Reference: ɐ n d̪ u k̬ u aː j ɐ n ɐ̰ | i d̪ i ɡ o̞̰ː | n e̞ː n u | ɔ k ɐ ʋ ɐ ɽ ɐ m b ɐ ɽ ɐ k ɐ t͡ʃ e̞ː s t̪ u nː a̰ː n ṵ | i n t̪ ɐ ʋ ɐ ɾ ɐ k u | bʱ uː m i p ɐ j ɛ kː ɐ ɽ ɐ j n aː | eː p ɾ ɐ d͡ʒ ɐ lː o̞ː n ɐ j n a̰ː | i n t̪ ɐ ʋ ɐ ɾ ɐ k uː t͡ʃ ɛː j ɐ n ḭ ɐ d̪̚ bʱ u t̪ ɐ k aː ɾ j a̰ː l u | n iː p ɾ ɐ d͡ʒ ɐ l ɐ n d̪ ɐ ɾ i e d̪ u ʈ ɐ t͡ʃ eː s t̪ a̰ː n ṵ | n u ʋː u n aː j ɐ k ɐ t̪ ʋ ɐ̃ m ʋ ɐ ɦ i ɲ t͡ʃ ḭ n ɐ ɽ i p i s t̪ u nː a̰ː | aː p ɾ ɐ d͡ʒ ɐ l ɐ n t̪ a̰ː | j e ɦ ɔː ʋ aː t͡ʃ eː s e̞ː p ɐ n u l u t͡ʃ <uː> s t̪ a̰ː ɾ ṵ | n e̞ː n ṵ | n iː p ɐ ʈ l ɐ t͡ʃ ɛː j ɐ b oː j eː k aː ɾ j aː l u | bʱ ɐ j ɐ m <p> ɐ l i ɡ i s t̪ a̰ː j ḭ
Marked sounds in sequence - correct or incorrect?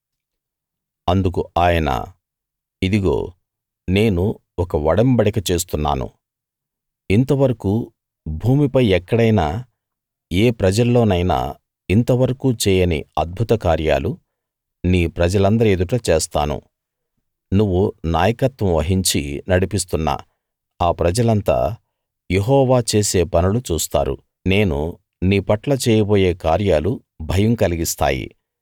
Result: correct, incorrect: k

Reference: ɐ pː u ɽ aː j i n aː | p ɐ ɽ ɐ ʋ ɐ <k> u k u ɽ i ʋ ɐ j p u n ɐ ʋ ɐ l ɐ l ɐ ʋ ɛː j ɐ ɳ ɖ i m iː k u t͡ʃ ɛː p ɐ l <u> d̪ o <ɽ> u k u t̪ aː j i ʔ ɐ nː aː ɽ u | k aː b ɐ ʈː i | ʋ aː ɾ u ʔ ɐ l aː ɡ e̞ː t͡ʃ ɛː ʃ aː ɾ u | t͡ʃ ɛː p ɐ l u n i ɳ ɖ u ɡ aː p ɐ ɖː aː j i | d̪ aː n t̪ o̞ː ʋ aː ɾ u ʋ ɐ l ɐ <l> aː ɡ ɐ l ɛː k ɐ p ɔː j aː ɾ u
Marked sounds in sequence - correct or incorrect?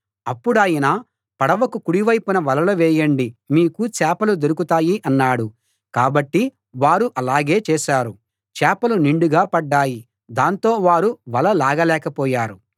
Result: correct, correct, incorrect: ɾ, correct

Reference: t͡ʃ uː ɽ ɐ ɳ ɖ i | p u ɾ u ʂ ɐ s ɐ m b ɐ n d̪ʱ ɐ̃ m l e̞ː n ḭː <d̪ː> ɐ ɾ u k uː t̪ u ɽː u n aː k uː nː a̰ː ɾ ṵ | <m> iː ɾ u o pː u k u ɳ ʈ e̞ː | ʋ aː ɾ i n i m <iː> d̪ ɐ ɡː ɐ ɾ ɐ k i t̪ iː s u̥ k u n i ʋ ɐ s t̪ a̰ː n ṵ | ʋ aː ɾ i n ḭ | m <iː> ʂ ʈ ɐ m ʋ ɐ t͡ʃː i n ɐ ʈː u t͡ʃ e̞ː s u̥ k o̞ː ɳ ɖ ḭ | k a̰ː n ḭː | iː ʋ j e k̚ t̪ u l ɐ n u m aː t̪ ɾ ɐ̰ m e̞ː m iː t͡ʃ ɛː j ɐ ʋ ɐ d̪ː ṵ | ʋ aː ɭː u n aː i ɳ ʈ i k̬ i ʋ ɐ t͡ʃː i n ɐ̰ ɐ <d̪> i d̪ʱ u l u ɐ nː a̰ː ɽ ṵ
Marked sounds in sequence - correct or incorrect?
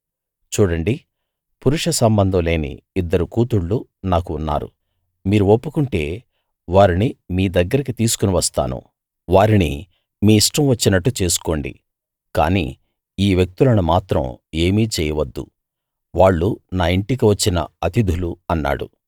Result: correct, correct, correct, correct, incorrect: t̪

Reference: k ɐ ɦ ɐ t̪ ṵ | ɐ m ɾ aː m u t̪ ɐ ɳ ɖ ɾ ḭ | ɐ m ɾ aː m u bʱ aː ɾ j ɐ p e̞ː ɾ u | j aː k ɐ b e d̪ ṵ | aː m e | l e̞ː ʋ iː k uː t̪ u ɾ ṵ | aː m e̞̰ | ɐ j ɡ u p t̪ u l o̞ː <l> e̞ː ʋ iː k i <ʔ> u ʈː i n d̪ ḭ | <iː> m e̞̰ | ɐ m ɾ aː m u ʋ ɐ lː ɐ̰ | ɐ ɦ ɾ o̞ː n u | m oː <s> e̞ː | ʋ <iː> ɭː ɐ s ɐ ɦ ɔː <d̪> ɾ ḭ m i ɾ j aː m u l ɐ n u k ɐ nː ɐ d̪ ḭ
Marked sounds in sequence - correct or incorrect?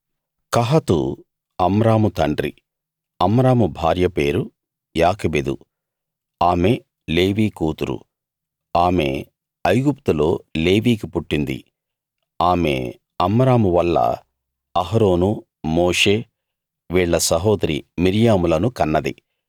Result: correct, incorrect: p, incorrect: aː, incorrect: ʂ, correct, correct

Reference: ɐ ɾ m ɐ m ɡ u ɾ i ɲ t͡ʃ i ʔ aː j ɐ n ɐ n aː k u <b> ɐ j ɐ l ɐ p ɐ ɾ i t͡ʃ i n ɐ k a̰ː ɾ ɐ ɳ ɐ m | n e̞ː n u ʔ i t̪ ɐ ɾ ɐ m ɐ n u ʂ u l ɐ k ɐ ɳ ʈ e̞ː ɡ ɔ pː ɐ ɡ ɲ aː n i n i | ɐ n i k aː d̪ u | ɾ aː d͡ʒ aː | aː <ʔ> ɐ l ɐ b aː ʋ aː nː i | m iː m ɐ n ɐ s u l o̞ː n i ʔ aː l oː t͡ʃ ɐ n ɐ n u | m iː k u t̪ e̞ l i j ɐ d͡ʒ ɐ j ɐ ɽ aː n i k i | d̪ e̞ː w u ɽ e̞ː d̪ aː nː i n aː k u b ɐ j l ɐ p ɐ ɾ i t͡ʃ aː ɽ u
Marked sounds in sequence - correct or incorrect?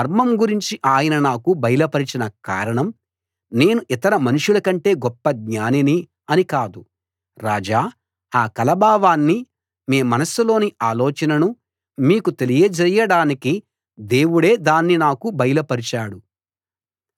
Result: correct, incorrect: k

